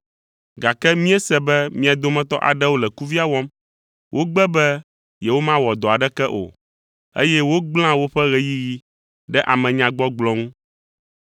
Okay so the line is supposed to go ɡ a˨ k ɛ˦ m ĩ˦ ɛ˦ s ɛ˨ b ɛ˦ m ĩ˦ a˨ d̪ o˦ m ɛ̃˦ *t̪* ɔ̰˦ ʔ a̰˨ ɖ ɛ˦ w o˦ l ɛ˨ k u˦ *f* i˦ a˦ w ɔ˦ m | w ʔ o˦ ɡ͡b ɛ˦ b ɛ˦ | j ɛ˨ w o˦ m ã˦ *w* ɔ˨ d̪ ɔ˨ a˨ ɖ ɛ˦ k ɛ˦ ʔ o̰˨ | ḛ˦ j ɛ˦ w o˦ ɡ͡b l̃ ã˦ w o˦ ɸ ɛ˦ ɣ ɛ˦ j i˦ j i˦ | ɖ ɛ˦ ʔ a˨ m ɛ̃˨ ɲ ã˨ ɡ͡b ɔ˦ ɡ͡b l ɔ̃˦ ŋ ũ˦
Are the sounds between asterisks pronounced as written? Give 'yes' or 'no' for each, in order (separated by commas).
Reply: yes, no, yes